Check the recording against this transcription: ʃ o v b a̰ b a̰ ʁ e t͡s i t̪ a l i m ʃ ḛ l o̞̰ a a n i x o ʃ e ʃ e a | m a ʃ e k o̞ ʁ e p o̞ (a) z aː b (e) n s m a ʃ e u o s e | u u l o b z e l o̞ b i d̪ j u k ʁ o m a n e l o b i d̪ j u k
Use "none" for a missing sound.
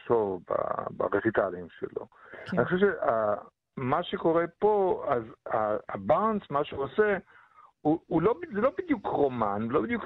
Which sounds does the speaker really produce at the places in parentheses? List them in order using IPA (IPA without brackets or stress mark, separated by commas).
a, a